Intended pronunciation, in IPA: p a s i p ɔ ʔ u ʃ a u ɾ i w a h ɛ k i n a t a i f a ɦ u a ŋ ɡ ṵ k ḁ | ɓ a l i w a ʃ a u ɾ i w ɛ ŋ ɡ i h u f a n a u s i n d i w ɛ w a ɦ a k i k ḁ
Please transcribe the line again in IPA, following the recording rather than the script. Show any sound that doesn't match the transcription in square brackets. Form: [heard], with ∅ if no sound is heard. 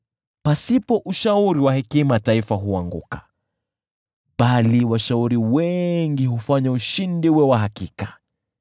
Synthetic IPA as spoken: p a s i p ɔ ʔ u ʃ a u ɾ i w a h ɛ k i [m] a t a i f a ɦ u a ŋ ɡ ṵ k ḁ | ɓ a l i w a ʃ a u ɾ i w ɛ ŋ ɡ i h u f a [ɲ] a u [ʃ] i n d i w ɛ w a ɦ a k i k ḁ